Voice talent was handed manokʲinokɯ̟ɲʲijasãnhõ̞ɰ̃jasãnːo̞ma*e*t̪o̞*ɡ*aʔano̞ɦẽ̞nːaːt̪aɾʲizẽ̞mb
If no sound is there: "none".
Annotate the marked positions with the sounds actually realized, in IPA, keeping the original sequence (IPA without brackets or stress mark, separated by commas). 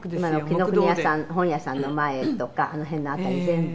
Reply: e, k